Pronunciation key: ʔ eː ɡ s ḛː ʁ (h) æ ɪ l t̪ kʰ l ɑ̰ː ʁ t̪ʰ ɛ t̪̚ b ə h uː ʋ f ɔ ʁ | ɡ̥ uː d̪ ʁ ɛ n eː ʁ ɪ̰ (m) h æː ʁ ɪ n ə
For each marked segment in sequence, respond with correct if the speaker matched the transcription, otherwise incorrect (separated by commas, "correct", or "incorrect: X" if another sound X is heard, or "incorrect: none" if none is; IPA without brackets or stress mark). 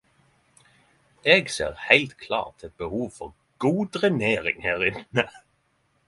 correct, incorrect: ŋ